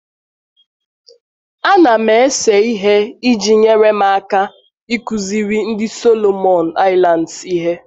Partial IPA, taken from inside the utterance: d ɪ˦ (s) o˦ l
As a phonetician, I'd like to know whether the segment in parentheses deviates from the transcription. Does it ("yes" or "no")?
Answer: no